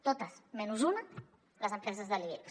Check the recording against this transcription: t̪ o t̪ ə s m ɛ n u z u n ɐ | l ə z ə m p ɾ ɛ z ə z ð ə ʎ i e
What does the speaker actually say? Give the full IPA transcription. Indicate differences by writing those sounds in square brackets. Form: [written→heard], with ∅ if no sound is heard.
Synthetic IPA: t̪ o t̪ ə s m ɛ n u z u n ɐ | l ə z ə m p ɾ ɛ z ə z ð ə [ʎ→l] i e